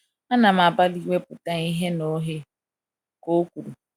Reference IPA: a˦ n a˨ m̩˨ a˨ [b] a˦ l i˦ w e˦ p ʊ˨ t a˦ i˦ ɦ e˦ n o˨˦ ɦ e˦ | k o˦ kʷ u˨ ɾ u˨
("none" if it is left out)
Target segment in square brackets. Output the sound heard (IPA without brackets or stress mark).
b